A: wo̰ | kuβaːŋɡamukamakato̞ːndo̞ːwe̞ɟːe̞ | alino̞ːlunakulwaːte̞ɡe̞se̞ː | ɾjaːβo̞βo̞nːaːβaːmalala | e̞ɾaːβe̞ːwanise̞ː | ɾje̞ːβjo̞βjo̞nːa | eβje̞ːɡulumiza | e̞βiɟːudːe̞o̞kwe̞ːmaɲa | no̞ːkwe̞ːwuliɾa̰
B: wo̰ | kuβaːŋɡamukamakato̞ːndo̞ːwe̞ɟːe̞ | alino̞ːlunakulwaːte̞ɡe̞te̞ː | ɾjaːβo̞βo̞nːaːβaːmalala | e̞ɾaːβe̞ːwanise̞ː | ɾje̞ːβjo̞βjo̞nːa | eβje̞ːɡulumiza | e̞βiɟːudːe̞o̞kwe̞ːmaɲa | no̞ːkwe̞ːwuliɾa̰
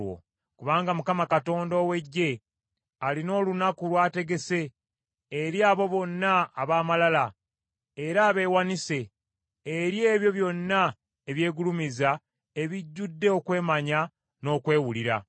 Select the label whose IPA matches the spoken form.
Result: A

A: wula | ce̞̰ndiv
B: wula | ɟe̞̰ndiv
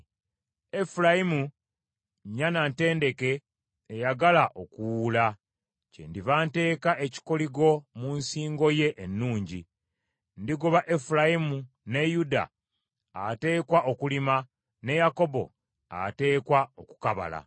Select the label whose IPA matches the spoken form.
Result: A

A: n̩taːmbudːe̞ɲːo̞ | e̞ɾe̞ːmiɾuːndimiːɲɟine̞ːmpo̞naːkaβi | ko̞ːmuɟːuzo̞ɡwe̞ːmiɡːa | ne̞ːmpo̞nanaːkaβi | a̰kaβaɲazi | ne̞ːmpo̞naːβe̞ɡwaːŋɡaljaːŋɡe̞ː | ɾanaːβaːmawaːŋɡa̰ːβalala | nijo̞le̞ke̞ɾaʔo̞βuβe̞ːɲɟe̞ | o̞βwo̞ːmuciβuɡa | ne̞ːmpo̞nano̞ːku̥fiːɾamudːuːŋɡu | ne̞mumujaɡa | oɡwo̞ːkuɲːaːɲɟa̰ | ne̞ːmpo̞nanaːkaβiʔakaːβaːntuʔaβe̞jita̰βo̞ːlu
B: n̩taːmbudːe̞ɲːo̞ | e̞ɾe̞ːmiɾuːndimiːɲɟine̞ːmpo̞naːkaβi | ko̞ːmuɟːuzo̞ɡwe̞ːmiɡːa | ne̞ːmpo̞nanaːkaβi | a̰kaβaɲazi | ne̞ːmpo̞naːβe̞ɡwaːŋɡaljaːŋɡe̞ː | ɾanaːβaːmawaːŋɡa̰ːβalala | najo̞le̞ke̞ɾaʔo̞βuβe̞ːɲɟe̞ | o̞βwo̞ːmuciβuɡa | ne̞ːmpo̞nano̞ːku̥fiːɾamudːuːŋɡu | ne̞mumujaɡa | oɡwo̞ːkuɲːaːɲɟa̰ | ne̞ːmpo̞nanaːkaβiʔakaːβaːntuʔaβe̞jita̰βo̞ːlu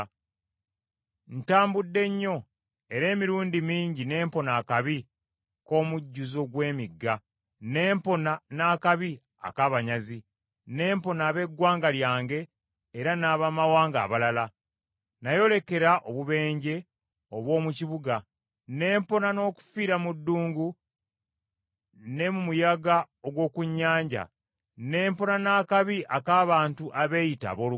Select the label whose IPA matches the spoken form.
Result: B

